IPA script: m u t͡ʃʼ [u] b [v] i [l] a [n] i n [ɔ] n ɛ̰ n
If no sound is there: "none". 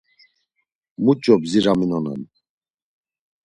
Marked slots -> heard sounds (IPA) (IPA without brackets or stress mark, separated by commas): ɔ, z, ɾ, m, ɔ